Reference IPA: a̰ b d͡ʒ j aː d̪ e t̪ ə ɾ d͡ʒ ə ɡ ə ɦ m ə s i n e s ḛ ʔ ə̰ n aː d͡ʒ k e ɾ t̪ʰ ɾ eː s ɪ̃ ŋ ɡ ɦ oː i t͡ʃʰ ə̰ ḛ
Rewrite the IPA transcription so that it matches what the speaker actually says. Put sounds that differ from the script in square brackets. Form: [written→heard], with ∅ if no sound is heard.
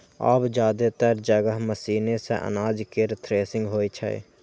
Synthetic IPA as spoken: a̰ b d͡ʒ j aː d̪ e t̪ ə ɾ d͡ʒ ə ɡ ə ɦ m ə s [i→iː] n e s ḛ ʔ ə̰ n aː d͡ʒ k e ɾ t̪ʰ ɾ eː s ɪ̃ ŋ ɡ ɦ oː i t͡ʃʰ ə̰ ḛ